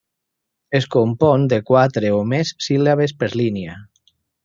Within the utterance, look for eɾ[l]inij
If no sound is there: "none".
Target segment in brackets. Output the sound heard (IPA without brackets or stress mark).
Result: l